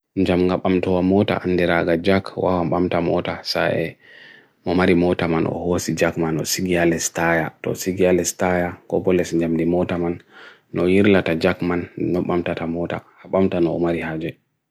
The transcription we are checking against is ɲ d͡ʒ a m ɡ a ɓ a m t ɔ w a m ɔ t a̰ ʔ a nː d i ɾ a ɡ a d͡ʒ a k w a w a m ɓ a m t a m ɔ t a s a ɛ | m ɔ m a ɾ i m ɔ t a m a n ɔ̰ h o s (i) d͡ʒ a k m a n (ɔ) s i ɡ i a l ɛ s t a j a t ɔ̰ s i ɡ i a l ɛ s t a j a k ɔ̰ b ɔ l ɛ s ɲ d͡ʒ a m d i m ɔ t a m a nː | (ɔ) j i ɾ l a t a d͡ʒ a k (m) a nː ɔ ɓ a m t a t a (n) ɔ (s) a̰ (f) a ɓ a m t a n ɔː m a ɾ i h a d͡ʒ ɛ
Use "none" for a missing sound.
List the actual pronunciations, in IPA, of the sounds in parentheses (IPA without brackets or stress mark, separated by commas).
i, ɔ, ɔ, m, m, t, h